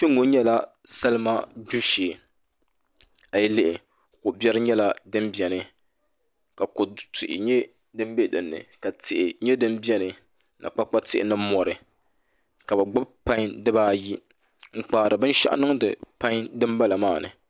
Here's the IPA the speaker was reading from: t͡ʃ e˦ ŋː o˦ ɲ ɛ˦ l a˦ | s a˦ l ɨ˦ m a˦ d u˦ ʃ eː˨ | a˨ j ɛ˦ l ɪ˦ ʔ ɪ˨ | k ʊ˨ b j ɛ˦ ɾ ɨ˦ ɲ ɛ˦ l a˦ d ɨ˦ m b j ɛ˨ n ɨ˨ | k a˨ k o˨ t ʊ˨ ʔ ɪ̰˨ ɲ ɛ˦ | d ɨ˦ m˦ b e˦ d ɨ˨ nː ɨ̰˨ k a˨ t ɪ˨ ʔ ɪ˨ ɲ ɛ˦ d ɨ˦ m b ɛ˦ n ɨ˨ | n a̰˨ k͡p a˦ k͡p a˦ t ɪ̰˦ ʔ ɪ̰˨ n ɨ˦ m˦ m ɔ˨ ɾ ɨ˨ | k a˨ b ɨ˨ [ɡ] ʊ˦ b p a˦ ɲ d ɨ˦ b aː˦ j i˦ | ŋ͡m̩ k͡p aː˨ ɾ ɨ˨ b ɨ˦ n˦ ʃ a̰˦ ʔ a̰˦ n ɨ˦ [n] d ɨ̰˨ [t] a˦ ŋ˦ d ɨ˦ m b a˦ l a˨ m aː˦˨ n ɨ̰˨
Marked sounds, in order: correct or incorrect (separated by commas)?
incorrect, incorrect, incorrect